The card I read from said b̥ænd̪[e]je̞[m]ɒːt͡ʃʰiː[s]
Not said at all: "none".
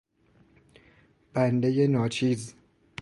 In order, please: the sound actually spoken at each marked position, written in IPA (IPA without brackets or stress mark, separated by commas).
e, n, z